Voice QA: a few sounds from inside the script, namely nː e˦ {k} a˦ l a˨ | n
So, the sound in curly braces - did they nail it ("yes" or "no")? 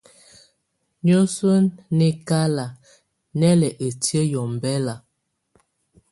yes